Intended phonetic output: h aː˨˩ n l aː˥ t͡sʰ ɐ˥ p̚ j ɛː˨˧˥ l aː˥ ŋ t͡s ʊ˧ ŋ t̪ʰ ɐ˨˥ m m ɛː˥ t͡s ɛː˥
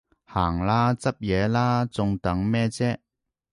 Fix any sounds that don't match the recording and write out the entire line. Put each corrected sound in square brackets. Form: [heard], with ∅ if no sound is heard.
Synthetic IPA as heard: h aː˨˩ [ŋ] l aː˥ [t͡s] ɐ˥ p̚ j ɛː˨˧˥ l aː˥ [∅] t͡s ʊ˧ ŋ [t̪] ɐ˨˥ [ŋ] m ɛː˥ t͡s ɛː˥